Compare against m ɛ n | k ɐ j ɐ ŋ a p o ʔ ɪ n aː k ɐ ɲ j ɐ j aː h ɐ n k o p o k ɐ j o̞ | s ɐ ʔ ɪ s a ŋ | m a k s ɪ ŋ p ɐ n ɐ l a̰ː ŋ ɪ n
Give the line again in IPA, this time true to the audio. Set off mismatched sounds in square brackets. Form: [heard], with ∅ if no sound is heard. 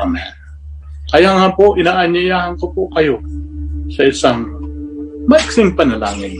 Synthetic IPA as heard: m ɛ n | k ɐ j [a] ŋ a p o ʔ ɪ n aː [ʔ] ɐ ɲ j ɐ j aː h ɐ n k o p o k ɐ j o̞ | s ɐ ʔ ɪ s a ŋ | m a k s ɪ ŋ p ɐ n ɐ l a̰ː ŋ ɪ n